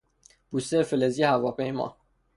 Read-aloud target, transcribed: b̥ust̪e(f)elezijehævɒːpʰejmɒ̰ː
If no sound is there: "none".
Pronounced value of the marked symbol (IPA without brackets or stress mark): f